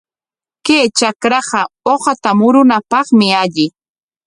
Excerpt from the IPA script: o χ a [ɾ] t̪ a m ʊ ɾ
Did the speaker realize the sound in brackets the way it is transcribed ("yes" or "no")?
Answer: no